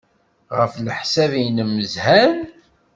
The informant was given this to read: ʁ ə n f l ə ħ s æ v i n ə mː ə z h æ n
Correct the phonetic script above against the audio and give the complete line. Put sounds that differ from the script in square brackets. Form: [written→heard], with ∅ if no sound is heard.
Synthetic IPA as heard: ʁ ə [n→∅] f l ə ħ s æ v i n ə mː ə z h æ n